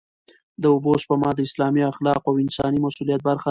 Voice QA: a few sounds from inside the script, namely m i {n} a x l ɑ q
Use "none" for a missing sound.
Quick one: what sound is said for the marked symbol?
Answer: none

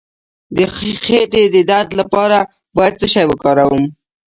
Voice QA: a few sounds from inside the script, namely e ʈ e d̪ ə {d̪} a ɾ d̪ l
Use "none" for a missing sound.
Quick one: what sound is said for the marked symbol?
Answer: d̪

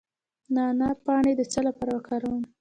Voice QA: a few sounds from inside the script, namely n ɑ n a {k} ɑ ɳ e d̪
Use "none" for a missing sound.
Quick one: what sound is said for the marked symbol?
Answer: p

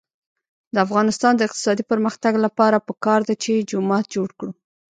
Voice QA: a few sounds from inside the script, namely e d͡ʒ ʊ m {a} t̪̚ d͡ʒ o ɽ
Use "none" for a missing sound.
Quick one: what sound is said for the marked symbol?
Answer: ɑ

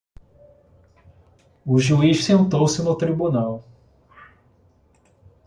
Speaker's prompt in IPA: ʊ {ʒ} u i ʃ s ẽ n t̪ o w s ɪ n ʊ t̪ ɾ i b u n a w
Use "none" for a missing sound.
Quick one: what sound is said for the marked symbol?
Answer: ʒ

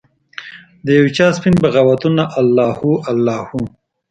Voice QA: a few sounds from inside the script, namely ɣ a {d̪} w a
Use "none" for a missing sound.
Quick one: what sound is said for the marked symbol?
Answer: none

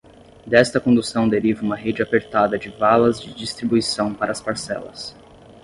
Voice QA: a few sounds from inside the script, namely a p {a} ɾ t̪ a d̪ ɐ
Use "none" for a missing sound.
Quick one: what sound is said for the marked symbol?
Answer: e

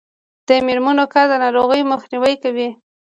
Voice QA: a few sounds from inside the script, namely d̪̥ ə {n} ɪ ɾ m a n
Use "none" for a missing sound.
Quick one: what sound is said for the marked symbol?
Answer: m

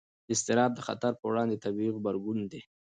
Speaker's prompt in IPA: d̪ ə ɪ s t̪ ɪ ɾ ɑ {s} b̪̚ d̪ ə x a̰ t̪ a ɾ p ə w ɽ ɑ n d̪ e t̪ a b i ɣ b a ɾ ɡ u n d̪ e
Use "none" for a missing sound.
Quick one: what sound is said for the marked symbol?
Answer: none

